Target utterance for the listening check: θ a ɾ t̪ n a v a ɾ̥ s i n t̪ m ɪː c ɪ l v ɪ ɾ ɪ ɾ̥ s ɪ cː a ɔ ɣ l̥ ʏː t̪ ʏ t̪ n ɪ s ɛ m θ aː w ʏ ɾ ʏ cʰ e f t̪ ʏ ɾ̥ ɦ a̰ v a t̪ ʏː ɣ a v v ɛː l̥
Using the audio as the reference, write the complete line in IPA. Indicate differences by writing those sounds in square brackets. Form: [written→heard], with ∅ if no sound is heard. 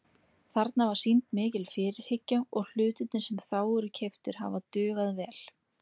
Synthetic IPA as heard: θ a ɾ t̪ n a v a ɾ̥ s i n t̪ m ɪː c ɪ l [v→f] ɪ ɾ ɪ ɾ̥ [s→h] ɪ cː a ɔ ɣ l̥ ʏː t̪ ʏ t̪ n ɪ s ɛ m θ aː w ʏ ɾ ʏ cʰ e f t̪ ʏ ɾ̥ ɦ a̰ v a t̪ ʏː ɣ a [v→ð] v ɛː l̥